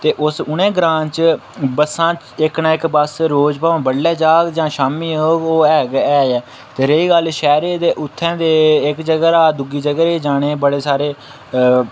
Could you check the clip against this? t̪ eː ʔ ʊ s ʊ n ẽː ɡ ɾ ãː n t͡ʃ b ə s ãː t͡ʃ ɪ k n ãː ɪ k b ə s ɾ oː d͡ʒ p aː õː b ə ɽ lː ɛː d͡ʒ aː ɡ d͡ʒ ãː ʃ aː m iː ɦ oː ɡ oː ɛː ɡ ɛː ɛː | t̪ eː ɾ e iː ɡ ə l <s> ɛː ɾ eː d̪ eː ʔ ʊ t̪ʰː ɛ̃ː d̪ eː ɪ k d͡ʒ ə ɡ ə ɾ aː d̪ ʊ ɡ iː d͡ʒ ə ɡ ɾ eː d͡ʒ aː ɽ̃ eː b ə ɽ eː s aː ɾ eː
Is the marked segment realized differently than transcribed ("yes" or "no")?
yes